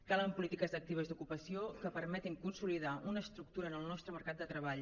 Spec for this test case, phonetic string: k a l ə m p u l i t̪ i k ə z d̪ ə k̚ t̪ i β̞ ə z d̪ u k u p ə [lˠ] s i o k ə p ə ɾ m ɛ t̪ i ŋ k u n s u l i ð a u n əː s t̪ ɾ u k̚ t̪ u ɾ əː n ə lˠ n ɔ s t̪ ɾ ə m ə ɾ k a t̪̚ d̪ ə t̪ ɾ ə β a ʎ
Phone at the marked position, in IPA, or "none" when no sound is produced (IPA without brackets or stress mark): none